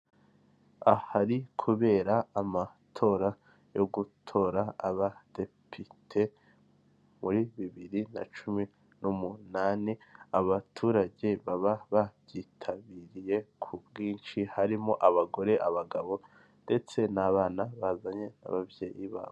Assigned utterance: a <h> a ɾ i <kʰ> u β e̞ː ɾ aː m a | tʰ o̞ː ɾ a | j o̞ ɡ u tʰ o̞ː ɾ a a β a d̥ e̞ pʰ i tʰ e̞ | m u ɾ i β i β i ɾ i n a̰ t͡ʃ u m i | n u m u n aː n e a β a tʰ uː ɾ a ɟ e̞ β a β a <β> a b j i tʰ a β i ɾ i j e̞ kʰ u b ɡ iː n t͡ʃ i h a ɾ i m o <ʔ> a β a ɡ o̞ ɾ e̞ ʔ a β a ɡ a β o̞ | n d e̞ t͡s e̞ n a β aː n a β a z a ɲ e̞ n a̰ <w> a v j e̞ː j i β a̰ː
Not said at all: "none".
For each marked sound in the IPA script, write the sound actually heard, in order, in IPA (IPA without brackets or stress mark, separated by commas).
h, kʰ, β, ʔ, β